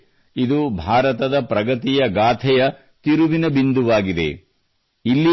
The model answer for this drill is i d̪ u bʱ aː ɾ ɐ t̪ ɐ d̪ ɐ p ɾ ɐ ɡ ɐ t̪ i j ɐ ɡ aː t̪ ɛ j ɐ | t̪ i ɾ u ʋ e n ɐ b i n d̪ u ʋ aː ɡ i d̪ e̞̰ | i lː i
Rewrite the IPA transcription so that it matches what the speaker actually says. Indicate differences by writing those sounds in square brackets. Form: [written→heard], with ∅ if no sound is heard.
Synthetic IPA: i d̪ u bʱ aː ɾ ɐ t̪ ɐ d̪ ɐ p ɾ ɐ ɡ ɐ t̪ i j ɐ ɡ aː [t̪→t̪ʰ] ɛ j ɐ | t̪ i ɾ u ʋ [e→i] n ɐ b i n d̪ u ʋ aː ɡ i d̪ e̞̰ | i lː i